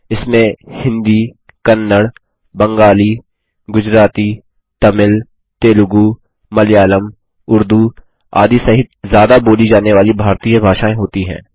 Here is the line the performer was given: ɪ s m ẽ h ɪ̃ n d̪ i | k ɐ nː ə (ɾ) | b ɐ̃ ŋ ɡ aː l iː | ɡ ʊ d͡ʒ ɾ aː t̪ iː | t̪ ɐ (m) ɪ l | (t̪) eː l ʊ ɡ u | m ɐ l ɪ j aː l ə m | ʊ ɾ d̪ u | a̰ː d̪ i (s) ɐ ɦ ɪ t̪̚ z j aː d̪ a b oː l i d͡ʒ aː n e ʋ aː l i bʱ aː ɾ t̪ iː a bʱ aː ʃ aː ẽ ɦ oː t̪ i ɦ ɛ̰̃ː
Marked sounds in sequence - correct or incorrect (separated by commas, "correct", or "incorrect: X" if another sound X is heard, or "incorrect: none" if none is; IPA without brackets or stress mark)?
incorrect: ɽ, correct, correct, correct